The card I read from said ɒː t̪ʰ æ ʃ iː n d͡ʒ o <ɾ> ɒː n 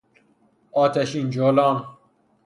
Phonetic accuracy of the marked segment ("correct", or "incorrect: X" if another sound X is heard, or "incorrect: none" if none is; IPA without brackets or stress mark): incorrect: l